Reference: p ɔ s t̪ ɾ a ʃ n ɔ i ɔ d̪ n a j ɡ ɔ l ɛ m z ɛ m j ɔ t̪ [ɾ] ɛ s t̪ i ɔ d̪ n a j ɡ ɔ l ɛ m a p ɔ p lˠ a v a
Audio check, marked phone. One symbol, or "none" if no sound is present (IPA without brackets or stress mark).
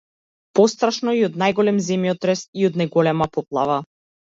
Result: ɾ